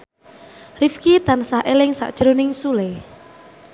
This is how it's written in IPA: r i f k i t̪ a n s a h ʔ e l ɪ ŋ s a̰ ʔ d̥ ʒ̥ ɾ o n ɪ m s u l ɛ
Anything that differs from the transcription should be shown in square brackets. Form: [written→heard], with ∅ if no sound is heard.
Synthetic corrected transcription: r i f k i t̪ a n s a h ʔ e l ɪ ŋ s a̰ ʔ d̥ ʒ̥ ɾ o n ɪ [m→ŋ] s u l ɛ